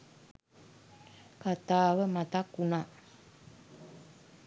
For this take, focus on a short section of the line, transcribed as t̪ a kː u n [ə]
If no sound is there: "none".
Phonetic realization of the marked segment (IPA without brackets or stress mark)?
a